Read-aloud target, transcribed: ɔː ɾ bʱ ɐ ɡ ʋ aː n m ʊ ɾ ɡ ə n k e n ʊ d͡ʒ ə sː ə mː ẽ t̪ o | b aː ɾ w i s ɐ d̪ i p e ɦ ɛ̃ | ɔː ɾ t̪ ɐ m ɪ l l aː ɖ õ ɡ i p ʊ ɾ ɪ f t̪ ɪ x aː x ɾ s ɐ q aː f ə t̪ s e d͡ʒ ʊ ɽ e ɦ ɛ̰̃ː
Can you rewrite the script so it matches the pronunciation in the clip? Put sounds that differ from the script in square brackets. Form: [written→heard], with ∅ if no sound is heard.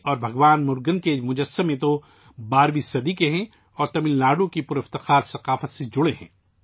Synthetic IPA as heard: ɔː ɾ bʱ ɐ ɡ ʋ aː n m ʊ ɾ ɡ ə n k e [n→m] ʊ d͡ʒ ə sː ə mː ẽ t̪ o | b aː ɾ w i s ɐ d̪ i [p→k] e ɦ ɛ̃ | ɔː ɾ t̪ ɐ m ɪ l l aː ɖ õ [ɡ→k] i p ʊ ɾ ɪ f t̪ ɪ x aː [x→∅] ɾ s ɐ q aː f ə t̪ s e d͡ʒ ʊ ɽ e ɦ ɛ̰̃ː

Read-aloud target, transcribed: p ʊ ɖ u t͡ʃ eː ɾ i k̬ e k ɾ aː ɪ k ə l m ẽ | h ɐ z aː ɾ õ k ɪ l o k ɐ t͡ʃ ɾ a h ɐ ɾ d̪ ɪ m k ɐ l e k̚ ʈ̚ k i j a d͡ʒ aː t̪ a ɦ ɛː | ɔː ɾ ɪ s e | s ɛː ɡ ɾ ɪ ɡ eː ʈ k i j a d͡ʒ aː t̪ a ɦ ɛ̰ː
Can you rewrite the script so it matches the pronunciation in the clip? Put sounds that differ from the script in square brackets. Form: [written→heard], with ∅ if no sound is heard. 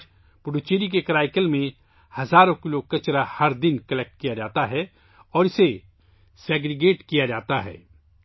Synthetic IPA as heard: p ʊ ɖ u t͡ʃ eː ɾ i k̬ e k ɾ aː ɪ k ə l m ẽ | h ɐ z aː ɾ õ k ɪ l o k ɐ t͡ʃ ɾ a h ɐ ɾ d̪ ɪ [m→n] k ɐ l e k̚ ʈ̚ k i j a d͡ʒ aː t̪ a ɦ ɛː | ɔː ɾ ɪ s e | s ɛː ɡ ɾ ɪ ɡ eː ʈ k i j a d͡ʒ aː t̪ a ɦ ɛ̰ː

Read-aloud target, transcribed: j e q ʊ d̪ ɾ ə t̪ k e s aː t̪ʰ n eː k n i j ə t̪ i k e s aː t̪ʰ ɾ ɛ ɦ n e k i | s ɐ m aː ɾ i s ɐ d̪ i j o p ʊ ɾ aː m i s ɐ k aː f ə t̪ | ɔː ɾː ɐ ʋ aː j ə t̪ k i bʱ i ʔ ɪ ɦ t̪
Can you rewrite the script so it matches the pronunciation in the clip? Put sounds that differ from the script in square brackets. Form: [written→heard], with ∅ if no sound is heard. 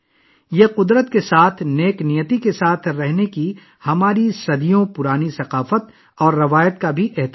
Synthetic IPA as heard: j e q ʊ d̪ ɾ ə t̪ k e s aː t̪ʰ n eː k n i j ə t̪ i k e s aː t̪ʰ ɾ ɛ ɦ n e k i | [s→h] ɐ m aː ɾ i s ɐ d̪ i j [o→õ] p ʊ ɾ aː [m→n] i s ɐ [k→q] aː f ə t̪ | ɔː ɾː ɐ ʋ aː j ə t̪ k [i→a] bʱ i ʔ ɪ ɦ t̪

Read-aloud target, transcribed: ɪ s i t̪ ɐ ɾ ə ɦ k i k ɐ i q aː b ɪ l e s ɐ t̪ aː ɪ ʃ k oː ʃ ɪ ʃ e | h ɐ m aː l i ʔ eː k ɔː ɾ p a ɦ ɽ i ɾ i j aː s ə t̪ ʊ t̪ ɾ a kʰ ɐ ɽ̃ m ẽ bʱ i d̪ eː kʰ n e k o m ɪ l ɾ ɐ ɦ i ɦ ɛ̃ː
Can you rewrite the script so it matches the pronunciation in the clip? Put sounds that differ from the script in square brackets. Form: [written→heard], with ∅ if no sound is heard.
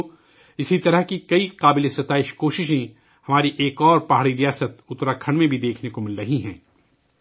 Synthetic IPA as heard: ɪ s i t̪ ɐ ɾ ə ɦ k i k ɐ i q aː b ɪ l e s ɐ t̪ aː ɪ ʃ k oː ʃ ɪ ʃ [e→ẽ] | h ɐ m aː [l→ɾ] i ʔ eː k ɔː ɾ p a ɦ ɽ i ɾ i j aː s ə t̪ ʊ t̪ ɾ a kʰ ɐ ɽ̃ m ẽ bʱ i d̪ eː kʰ n e k o m ɪ l ɾ ɐ ɦ i ɦ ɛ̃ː

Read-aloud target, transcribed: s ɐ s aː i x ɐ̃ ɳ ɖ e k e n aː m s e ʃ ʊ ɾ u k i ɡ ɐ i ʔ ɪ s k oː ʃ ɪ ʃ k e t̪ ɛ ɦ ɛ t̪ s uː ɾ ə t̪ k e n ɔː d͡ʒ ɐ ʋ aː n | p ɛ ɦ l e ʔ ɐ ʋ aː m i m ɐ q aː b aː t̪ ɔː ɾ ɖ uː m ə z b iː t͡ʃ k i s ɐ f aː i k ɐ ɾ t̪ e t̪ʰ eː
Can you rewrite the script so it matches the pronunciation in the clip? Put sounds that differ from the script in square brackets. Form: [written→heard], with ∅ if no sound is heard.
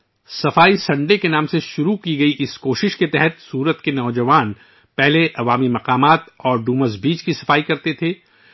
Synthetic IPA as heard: s ɐ [s→f] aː i [x→s] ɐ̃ ɳ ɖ e k e n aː m s e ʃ ʊ ɾ u k i ɡ ɐ i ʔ ɪ s k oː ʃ ɪ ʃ k e t̪ ɛ ɦ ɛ t̪ s uː ɾ ə t̪ k e n ɔː d͡ʒ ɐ ʋ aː n | p ɛ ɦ l e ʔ ɐ ʋ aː m i m ɐ q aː [b→m] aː t̪ ɔː ɾ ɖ uː m ə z b iː t͡ʃ k i s ɐ f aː i k ɐ ɾ t̪ e t̪ʰ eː

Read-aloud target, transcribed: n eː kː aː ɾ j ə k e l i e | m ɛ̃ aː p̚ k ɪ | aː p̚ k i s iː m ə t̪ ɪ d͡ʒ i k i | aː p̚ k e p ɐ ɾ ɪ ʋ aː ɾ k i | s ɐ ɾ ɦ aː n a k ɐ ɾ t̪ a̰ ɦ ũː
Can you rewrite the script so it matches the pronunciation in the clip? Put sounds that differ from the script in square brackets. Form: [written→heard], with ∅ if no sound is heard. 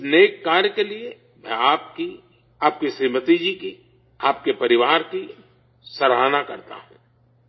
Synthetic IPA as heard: n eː kː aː ɾ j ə k e l i e | m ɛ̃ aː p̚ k [ɪ→i] | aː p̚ k i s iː m ə t̪ [ɪ→i] d͡ʒ i k i | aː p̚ k e p ɐ ɾ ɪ ʋ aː ɾ k i | s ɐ ɾ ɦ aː n a k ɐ ɾ t̪ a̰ ɦ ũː

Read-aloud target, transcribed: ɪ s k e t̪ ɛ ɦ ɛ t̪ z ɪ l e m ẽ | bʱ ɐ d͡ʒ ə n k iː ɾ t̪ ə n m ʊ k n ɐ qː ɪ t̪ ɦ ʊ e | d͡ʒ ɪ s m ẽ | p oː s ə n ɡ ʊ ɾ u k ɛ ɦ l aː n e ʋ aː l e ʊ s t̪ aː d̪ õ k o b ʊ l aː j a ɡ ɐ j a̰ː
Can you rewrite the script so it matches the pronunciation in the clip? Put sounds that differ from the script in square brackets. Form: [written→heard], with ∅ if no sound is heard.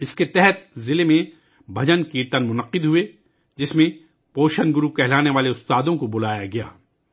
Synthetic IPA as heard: ɪ s k e t̪ ɛ ɦ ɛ t̪ z ɪ l e m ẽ | bʱ ɐ d͡ʒ ə n k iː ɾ t̪ ə n m ʊ [k→∅] n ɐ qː ɪ [t̪→d̪] ɦ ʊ e | d͡ʒ ɪ s m ẽ | p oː [s→ʃ] ə n ɡ ʊ ɾ u k ɛ ɦ l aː n e ʋ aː l e ʊ s t̪ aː d̪ õ k o b ʊ l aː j a ɡ ɐ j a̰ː

